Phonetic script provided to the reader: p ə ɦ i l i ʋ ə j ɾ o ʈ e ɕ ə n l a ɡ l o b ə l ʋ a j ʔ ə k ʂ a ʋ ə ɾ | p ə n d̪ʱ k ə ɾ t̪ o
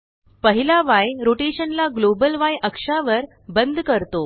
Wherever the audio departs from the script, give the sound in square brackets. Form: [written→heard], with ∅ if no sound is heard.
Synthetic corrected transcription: p ə ɦ i l [i→a] ʋ [ə→a] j ɾ o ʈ e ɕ ə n l a ɡ l o b ə l ʋ a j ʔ ə k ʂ a ʋ ə ɾ | [p→b] ə n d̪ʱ k ə ɾ t̪ o